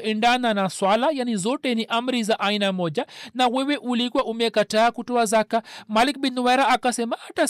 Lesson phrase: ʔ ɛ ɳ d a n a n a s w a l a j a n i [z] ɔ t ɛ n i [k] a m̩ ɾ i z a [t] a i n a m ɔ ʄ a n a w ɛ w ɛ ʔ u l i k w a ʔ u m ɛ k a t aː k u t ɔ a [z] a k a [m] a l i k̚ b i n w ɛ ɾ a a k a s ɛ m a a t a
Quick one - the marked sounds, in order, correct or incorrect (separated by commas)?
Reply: correct, incorrect, incorrect, correct, correct